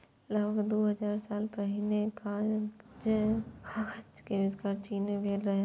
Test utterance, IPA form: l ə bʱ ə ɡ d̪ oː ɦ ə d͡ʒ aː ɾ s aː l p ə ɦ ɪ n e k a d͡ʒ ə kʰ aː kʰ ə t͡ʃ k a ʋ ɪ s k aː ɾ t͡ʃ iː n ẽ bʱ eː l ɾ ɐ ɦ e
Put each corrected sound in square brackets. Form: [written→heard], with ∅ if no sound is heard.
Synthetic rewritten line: l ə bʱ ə ɡ d̪ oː ɦ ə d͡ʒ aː ɾ s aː l p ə ɦ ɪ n e k a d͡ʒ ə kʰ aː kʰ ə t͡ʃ k [a→e] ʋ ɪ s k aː ɾ t͡ʃ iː n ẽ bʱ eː l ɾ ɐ ɦ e